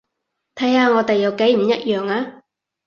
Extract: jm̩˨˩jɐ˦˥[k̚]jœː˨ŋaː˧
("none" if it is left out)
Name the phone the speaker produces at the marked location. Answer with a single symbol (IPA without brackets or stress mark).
t̚